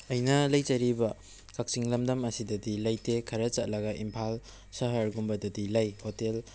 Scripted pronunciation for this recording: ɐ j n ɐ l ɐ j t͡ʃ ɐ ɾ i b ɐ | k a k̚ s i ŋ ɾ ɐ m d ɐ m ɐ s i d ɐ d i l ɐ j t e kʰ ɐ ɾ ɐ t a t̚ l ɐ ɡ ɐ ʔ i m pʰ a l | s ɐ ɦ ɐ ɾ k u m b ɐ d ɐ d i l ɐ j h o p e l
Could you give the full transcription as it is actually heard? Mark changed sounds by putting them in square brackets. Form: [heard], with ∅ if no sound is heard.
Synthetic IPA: ɐ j n ɐ l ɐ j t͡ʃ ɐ ɾ i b ɐ | k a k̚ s i ŋ [l] ɐ m d ɐ m ɐ s i d ɐ d i l ɐ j t e kʰ ɐ ɾ ɐ [t͡ʃ] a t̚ l ɐ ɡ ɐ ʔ i m pʰ a l | s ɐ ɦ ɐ ɾ [ɡ] u m b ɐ d ɐ d i l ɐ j h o [t] e l